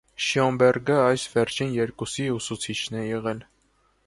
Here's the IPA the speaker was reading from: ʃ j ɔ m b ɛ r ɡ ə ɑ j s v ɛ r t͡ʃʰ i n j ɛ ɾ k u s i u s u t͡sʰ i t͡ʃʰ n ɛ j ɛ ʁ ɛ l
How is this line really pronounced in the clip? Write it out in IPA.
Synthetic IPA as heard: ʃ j ɔ m b ɛ r ɡ ə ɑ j s v ɛ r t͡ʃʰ i n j ɛ ɾ k u s i u s u t͡sʰ i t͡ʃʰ n ɛ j ɛ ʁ ɛ l